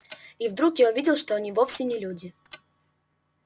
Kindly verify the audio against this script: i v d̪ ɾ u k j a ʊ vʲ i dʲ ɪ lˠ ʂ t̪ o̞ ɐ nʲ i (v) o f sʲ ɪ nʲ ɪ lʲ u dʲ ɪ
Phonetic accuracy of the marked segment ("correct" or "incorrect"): correct